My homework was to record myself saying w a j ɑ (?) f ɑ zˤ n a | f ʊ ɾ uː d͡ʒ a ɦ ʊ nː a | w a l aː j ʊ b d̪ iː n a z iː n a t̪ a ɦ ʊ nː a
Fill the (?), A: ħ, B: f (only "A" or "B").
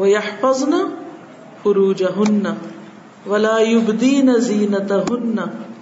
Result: A